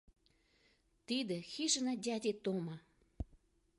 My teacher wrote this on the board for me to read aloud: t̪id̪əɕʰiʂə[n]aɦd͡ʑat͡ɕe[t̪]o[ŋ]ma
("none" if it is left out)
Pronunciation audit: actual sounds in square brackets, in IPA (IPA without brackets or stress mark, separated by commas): n, t̪, ŋ